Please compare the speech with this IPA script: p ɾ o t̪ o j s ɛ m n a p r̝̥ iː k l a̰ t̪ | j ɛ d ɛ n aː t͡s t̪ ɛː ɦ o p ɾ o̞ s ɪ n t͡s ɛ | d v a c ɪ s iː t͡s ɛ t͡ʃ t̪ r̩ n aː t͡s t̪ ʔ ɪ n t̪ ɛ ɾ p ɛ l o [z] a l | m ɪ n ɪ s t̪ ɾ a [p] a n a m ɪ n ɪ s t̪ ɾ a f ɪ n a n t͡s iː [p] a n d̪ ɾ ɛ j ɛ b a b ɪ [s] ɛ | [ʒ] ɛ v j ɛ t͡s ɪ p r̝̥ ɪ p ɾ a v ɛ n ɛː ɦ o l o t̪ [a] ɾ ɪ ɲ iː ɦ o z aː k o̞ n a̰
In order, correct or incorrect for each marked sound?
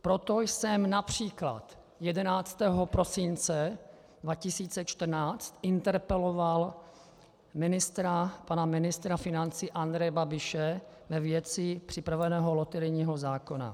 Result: incorrect, correct, incorrect, incorrect, incorrect, incorrect

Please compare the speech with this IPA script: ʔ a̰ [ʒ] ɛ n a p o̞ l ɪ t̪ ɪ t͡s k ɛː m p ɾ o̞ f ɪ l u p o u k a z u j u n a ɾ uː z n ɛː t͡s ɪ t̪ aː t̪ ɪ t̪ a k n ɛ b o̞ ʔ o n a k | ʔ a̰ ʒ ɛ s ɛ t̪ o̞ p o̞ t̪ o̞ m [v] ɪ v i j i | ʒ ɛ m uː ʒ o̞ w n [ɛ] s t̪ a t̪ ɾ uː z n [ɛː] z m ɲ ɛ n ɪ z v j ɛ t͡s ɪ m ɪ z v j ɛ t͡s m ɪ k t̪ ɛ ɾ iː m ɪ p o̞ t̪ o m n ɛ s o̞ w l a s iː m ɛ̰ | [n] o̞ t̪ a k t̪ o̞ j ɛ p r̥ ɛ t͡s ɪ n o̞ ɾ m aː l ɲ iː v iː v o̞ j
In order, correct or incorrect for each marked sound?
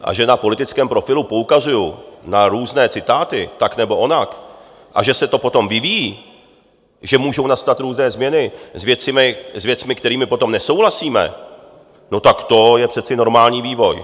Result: correct, correct, incorrect, correct, correct

